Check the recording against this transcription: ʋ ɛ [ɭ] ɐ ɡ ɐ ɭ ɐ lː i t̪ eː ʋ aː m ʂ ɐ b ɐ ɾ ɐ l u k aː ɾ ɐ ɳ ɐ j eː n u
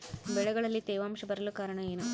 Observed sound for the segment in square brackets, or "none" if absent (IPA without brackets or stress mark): ɭ